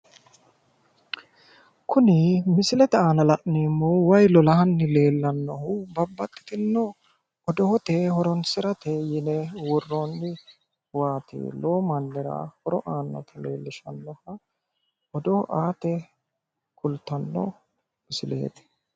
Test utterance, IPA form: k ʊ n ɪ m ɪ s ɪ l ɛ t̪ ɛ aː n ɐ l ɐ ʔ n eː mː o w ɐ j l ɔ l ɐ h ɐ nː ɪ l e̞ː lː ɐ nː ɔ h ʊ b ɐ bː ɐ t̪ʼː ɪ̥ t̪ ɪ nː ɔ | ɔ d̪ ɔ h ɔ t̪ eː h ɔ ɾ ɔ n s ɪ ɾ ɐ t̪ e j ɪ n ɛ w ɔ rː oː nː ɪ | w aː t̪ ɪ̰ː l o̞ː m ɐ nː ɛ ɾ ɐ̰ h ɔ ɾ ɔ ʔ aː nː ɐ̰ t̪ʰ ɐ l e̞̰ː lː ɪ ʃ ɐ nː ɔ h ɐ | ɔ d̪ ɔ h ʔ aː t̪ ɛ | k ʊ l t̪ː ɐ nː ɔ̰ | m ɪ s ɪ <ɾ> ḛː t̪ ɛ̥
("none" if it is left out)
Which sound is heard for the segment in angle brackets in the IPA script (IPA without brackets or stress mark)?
l